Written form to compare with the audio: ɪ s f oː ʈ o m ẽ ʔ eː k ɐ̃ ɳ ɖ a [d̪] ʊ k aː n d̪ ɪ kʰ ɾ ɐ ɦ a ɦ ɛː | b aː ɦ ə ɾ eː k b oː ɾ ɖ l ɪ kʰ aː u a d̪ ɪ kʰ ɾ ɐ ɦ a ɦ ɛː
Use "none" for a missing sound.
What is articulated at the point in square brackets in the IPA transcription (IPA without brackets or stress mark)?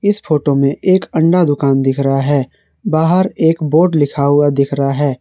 d̪